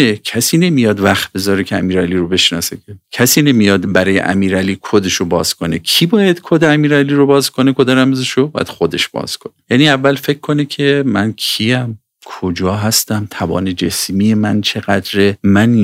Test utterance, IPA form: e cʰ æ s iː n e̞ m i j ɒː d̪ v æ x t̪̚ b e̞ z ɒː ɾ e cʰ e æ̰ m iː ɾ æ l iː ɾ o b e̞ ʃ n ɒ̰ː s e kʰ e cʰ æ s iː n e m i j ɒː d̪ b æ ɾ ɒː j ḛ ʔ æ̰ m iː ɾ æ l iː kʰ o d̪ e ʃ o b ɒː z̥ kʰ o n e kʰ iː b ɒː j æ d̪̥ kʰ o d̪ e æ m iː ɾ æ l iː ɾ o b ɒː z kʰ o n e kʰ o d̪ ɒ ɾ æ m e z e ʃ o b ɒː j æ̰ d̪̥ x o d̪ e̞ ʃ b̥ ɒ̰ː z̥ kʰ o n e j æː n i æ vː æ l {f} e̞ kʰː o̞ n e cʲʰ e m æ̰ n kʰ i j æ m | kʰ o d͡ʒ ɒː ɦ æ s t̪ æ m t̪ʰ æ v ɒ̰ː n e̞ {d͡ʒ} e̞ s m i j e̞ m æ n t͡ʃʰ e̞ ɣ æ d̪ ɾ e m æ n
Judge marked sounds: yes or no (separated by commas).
yes, yes